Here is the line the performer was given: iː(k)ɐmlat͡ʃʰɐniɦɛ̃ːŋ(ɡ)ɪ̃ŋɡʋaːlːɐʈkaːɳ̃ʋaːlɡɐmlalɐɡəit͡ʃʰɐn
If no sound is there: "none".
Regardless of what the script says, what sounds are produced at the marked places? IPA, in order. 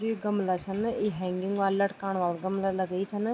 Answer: ɡ, ɡ

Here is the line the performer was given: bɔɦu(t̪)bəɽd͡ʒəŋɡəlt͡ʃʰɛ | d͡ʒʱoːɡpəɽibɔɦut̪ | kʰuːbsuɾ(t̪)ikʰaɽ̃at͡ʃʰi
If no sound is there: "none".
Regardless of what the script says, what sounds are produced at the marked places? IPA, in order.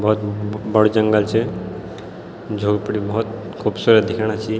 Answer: t̪, d̪

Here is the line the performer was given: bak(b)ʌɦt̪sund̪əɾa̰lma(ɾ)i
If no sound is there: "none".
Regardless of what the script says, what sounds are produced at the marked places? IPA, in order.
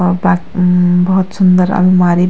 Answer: b, ɾ

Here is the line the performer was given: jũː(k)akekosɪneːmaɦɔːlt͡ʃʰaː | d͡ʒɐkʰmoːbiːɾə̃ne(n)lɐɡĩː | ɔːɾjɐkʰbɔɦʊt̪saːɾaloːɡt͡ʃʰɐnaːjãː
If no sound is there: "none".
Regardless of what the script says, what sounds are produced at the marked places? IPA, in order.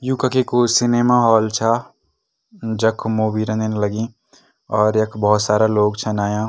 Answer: k, n

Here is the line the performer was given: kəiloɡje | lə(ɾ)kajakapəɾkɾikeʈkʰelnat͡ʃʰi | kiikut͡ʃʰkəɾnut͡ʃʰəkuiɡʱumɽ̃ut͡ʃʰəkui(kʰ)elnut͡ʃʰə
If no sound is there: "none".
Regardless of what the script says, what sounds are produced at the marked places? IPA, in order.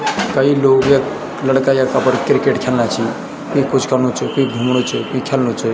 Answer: ɽ, kʰ

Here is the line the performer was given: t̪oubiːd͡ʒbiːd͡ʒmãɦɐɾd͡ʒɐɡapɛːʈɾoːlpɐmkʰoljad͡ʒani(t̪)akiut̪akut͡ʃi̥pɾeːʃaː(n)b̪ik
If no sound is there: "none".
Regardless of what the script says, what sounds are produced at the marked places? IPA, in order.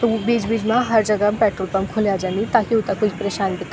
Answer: t̪, n

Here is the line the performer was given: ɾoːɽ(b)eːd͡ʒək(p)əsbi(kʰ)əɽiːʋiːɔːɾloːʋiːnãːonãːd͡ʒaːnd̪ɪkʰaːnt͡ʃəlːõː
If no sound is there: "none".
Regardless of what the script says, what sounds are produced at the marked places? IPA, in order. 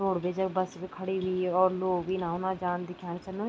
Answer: b, b, kʰ

